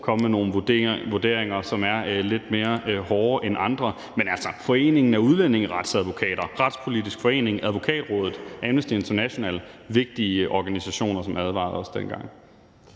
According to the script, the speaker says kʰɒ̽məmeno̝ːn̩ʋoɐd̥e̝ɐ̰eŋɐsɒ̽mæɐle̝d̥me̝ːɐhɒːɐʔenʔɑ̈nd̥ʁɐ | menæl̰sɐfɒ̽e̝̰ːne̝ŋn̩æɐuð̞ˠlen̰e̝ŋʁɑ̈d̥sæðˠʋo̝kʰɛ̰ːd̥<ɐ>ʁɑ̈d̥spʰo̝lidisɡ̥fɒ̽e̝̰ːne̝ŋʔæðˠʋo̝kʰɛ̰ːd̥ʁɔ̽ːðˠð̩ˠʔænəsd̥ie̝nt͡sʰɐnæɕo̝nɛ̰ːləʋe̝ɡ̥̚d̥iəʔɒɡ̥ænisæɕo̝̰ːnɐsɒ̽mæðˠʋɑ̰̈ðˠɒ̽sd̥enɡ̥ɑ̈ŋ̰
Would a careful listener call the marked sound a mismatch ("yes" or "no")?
no